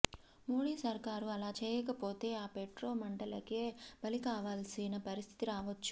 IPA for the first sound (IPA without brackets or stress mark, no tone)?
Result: m